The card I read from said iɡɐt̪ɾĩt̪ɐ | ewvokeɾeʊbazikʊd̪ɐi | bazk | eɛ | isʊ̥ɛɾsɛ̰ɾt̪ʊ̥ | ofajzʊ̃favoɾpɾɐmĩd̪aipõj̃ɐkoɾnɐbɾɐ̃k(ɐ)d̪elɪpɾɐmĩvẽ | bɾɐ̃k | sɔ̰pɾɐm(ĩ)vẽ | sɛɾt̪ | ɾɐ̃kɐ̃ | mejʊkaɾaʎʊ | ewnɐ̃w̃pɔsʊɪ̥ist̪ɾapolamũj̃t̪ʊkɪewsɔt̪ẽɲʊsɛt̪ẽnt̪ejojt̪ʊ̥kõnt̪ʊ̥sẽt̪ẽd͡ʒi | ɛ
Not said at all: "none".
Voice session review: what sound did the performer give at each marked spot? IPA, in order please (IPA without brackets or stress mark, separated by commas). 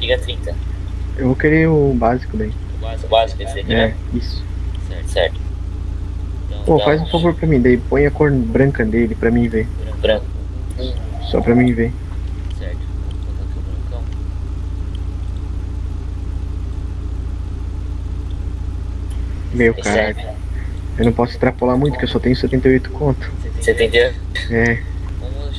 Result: ɐ, ĩ